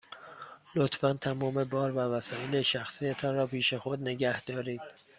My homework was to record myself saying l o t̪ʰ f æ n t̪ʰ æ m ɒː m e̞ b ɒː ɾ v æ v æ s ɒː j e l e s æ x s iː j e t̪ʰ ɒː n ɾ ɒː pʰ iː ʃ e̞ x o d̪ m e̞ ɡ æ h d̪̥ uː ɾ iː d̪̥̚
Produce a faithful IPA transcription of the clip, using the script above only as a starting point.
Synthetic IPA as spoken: l o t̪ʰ f æ n t̪ʰ æ m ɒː m e̞ b ɒː ɾ v æ v æ s ɒː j e l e ʃ æ x s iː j e t̪ʰ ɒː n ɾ ɒː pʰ iː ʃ e̞ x o d̪ n e̞ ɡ æ h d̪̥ ɒː ɾ iː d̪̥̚